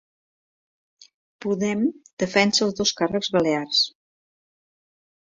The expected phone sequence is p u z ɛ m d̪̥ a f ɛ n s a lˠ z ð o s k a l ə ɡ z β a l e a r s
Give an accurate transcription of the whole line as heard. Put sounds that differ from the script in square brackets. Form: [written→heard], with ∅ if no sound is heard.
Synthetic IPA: p u [z→ð] ɛ m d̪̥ [a→ə] f ɛ n s [a→ə] lˠ z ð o s k a [l→r] ə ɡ z β [a→ə] l e a r s